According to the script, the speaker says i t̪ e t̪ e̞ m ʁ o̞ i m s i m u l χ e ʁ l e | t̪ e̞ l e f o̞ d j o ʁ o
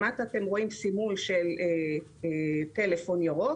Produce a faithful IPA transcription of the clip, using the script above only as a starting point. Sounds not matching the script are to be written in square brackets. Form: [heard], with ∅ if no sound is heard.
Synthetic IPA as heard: [a] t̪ [a] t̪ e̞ m ʁ o̞ i m s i m u l [ʃ] e [∅] l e | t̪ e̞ l e f o̞ [n] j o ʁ o

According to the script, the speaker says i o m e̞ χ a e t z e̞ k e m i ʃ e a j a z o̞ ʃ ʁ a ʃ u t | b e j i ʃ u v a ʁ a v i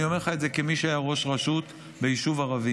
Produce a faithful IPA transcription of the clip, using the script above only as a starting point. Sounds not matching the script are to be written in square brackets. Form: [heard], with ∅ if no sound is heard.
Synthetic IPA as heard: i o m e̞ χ a e t z e̞ k e m i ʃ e a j a [ʁ] o̞ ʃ ʁ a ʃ u t | b e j i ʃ u v a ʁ a v i

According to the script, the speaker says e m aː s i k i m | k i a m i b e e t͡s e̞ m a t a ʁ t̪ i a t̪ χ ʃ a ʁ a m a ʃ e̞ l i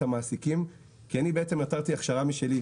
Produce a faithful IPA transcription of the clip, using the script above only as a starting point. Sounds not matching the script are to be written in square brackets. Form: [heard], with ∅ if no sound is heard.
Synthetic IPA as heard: [a] m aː s i k i m | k i a [n] i b e e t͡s e̞ m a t a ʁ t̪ i a [∅] χ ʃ a ʁ a m [i] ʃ e̞ l i

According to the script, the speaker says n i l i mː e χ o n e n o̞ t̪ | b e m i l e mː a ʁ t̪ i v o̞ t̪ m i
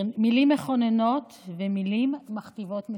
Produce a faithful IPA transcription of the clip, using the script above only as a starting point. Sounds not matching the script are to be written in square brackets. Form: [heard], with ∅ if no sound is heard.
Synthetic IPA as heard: [m] i l i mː e χ o n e n o̞ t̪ | [v] e m i l [i] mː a [χ] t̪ i v o̞ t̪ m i

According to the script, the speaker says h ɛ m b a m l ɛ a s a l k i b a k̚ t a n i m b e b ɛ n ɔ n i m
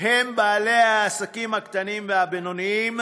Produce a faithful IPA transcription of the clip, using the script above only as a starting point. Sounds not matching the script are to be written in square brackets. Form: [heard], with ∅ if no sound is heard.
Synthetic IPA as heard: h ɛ m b a [∅] l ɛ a s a [∅] k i [m] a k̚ t a n i m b [a] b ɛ n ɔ n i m

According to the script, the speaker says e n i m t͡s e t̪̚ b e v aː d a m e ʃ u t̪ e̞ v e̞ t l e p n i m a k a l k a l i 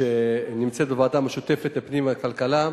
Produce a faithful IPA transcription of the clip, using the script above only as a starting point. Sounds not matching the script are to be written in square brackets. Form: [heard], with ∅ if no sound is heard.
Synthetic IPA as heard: e n i m t͡s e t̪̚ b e v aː d a m e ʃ u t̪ e̞ [f] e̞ t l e p n i m a k a l k a l [a]

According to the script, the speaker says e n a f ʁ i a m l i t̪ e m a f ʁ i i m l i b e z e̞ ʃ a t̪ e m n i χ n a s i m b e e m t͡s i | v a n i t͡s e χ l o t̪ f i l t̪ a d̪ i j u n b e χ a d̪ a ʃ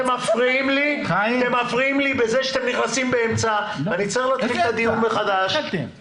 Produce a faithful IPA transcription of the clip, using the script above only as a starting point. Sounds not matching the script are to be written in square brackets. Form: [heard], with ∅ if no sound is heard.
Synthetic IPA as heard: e [m] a f ʁ i [i] m l i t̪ e m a f ʁ i i m l i b e z e̞ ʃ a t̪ e m n i χ n a s i m b e e m t͡s [a] | v a n i t͡s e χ l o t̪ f i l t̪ a d̪ i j u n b e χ a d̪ a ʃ

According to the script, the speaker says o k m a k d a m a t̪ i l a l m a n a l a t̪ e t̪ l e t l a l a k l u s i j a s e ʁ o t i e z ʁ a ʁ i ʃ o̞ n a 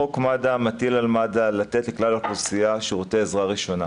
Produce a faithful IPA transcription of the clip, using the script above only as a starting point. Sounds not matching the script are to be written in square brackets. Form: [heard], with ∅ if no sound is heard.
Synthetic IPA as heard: o k m a [∅] d a m a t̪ i l a l m a [d] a l a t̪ e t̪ l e [k] l a l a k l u s i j a [ʃ] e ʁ o t [e] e z ʁ a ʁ i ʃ o̞ n a

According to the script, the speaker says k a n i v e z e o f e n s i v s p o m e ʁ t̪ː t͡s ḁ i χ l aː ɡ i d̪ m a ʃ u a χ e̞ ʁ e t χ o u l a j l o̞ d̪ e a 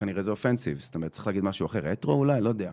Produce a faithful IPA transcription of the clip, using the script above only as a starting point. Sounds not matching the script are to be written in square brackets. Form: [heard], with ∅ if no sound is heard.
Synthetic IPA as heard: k a n i [ʁ] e z e o f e n s i v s [t] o m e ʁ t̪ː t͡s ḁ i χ l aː ɡ i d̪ m a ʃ u a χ e̞ ʁ e t [ʁ] o u l a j l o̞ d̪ e a

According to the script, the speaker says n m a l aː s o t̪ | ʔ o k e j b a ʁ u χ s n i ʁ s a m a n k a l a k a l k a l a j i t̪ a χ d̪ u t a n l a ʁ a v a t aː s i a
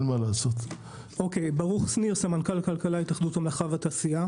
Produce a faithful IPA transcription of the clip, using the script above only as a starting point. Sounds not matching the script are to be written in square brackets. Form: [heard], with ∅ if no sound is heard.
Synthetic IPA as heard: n m a l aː s o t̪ | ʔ o k e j b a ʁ u χ s n i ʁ s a m a n k a l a k a l k a l a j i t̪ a χ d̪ u t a [m] l a [χ] a v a t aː s i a

